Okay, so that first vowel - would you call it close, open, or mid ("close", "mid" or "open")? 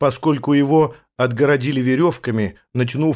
open